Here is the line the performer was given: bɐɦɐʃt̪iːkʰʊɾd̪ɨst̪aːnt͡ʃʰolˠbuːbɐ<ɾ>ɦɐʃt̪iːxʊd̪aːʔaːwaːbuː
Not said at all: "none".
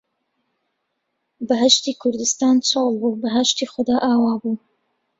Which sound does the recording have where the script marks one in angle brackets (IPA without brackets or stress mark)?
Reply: none